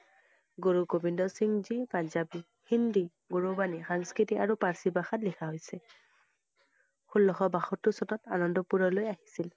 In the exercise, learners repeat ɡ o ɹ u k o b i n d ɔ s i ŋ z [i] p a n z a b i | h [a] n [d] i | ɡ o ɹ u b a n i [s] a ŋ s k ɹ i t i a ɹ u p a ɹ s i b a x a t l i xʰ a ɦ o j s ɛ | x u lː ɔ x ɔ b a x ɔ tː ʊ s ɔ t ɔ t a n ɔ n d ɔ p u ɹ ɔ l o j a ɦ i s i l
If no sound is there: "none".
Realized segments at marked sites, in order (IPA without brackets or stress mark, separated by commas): i, i, d, x